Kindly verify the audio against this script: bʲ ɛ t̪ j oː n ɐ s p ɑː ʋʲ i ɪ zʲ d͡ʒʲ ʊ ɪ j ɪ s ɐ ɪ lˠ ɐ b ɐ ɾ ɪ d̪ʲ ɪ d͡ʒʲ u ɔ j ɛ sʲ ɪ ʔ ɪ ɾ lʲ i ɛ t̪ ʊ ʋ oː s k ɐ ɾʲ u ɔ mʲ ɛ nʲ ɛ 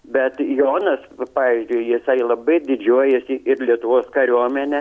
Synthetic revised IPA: bʲ ɛ t̪ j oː n ɐ s p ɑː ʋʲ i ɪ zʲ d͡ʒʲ ʊ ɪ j ɪ s ɐ ɪ lˠ ɐ b ɐ ɪ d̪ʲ ɪ d͡ʒʲ u ɔ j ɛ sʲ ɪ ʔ ɪ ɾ lʲ i ɛ t̪ ʊ ʋ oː s k ɐ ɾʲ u ɔ mʲ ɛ nʲ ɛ